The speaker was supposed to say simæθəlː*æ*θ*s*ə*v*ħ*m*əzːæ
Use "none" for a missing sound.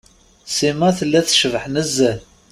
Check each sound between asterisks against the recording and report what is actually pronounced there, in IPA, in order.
æ, ʃ, v, n

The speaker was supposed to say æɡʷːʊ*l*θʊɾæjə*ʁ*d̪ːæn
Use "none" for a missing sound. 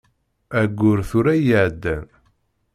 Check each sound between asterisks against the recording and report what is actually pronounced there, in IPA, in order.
ɾ, ʕ

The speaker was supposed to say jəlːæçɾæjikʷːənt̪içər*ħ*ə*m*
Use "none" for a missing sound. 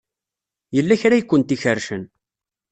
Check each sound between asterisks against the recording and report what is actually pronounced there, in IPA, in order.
ʃ, n

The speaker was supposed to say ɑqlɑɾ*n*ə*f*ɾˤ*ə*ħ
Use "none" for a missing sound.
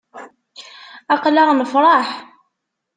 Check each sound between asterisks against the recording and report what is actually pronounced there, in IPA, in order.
n, f, ɑ

